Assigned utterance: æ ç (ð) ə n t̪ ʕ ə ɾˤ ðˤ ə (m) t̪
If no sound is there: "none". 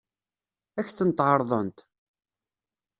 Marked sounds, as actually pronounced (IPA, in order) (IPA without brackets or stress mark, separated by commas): θ, n